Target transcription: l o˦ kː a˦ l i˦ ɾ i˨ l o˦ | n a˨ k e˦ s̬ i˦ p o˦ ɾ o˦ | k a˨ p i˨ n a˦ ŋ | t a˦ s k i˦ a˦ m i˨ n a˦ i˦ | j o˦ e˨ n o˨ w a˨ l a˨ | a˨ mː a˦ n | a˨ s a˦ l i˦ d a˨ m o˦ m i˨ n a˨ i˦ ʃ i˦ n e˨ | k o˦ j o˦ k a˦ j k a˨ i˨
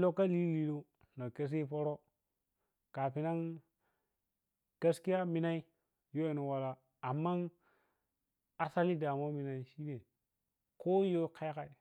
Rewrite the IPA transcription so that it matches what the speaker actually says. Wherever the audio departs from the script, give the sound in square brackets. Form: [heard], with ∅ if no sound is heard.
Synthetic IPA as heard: l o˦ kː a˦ l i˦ [l] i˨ l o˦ | n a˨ k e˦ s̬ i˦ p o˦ ɾ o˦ | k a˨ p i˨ n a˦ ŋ | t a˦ s k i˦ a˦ m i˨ n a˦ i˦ | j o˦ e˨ n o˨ w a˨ l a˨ | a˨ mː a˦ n | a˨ s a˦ l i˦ d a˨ m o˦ m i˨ n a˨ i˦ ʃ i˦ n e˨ | k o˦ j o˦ k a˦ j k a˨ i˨